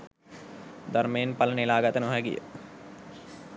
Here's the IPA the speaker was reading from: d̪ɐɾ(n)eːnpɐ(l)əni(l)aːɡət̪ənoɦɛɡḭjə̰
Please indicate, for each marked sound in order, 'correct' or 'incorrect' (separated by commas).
incorrect, correct, correct